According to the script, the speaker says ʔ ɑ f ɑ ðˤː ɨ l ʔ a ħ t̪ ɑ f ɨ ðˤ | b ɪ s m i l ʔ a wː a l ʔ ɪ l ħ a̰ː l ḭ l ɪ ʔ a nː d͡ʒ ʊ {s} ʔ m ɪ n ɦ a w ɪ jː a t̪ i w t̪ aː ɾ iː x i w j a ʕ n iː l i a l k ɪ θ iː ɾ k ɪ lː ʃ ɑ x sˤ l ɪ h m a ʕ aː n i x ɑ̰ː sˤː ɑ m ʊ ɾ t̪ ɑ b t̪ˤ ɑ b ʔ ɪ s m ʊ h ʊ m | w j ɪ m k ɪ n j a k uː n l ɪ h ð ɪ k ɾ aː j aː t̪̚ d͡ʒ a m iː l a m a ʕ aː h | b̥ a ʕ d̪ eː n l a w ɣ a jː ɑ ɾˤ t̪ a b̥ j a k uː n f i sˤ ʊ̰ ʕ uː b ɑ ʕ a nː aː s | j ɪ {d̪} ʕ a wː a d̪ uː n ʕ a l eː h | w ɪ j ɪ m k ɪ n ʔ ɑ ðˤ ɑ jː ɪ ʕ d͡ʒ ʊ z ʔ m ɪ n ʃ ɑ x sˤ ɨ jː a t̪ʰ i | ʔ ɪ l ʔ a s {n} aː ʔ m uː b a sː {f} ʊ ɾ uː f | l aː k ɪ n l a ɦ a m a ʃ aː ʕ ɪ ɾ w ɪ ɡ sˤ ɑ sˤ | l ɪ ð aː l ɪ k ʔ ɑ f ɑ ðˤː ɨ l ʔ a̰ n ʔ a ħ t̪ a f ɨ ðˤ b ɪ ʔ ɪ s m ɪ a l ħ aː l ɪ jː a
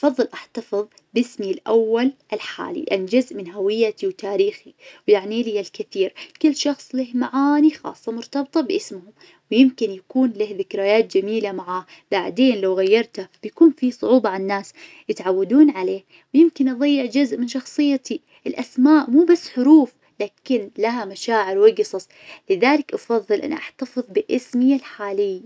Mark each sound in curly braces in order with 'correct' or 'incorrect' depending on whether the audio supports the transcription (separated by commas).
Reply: incorrect, incorrect, incorrect, incorrect